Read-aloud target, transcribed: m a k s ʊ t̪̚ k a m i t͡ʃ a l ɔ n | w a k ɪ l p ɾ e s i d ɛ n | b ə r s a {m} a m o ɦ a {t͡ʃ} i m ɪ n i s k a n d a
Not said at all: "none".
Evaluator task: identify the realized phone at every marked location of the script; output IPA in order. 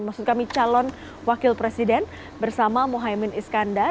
m, none

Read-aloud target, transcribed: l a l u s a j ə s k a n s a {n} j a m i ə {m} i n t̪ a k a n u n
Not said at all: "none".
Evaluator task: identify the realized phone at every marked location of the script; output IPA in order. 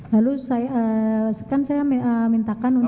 none, m

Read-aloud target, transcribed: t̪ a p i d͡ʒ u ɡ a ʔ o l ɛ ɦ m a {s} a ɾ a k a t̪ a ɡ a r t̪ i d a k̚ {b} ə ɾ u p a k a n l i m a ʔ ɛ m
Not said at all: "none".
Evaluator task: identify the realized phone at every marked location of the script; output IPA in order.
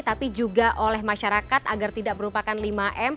ʃ, m

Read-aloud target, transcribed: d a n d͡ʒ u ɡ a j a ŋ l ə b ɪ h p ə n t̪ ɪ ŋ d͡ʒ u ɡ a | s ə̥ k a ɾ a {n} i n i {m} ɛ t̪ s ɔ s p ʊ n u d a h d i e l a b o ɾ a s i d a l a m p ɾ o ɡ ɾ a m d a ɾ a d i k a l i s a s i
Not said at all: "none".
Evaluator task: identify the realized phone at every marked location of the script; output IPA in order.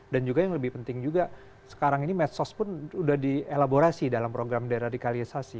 ŋ, m

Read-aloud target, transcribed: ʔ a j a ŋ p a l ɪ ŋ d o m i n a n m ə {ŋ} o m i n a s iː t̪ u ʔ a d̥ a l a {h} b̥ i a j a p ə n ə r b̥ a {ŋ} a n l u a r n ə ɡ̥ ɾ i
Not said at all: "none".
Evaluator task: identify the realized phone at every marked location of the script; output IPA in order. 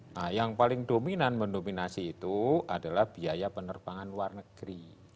n, h, ŋ

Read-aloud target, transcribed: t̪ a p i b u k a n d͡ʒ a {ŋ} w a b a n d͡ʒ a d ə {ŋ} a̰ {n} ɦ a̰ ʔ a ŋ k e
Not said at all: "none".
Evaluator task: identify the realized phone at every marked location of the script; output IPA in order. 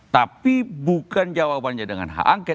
none, ŋ, n

